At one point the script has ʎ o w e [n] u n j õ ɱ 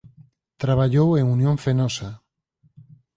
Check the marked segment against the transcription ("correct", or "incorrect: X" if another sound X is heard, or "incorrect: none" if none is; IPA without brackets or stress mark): incorrect: ŋ